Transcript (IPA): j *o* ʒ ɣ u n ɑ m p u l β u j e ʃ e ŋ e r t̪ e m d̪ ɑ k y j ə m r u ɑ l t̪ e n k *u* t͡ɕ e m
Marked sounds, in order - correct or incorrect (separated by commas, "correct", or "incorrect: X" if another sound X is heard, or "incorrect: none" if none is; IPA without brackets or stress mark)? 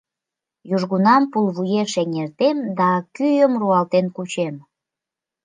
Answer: incorrect: u, correct